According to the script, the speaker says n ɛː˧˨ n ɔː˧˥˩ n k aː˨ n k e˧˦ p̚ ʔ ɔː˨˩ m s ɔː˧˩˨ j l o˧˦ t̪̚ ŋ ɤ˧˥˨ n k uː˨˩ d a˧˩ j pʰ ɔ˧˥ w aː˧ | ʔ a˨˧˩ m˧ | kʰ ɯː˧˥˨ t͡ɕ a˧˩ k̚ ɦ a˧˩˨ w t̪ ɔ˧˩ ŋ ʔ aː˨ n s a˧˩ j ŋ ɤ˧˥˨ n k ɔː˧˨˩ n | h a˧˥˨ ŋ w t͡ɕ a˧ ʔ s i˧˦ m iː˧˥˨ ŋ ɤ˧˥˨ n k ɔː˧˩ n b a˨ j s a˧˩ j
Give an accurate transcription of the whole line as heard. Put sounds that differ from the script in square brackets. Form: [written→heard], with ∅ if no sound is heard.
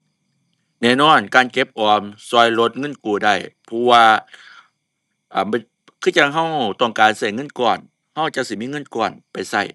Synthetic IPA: n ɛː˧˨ n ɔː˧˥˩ n k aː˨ n k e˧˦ p̚ ʔ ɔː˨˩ m s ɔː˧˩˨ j l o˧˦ t̪̚ ŋ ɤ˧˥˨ n k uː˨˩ d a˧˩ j pʰ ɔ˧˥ w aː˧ | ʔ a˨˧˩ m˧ | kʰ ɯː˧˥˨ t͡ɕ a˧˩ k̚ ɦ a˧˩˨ w t̪ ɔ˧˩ ŋ [ʔ→k] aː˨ n s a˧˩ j ŋ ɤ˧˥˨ n k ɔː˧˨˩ n | h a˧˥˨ [ŋ→∅] w t͡ɕ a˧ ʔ s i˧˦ m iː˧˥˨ ŋ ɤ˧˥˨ n k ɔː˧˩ n [b→p] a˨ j s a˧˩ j